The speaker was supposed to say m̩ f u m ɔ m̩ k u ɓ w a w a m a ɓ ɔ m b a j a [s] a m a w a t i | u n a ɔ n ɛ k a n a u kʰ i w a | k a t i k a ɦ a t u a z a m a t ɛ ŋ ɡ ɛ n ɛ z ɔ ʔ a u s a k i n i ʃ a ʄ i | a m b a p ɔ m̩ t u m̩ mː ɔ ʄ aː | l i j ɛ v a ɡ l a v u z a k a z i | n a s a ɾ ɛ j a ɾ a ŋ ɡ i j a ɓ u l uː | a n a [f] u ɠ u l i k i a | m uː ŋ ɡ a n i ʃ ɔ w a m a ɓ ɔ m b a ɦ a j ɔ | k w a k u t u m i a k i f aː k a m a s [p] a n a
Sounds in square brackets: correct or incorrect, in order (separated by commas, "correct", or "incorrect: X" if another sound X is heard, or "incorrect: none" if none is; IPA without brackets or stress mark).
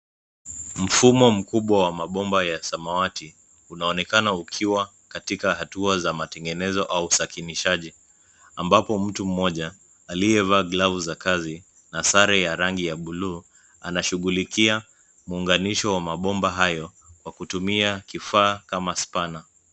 correct, incorrect: ʃ, correct